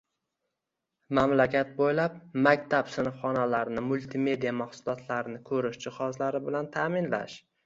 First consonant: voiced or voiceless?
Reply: voiced